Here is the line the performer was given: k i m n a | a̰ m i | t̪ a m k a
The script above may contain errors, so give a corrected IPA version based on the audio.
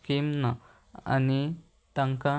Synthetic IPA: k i m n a | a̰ n i | t̪ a ŋ k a